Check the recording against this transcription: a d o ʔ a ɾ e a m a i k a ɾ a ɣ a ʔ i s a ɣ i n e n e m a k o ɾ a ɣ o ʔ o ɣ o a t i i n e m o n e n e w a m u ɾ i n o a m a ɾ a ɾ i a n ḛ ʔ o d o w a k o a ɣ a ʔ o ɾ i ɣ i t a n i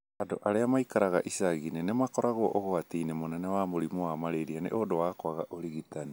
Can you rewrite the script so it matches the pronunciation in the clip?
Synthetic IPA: a d o ʔ a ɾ e a m a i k a ɾ a ɣ a ʔ i s a ɣ i n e n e m a k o ɾ a ɣ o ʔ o ɣ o a t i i n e m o n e n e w a m o ɾ i m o a m a ɾ e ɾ i a n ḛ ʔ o d o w a k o a ɣ a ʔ o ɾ i ɣ i t a n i